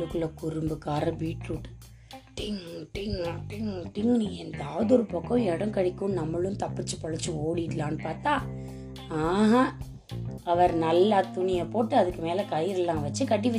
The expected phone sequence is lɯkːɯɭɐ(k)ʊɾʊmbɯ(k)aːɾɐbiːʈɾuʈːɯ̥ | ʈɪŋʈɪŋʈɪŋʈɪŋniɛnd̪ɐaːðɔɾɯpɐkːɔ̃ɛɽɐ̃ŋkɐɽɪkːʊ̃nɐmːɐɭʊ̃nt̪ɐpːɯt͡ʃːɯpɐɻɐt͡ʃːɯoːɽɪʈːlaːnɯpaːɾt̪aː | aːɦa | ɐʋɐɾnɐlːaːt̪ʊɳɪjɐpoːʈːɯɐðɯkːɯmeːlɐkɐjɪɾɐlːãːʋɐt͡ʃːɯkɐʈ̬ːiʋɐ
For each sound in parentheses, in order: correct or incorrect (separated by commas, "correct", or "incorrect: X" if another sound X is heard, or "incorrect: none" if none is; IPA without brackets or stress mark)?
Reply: correct, correct